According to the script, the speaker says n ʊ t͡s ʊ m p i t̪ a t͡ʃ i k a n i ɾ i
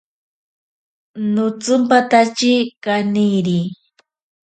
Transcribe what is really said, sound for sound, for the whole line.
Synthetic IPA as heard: n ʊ t͡s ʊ m p a t̪ a t͡ʃ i k a n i ɾ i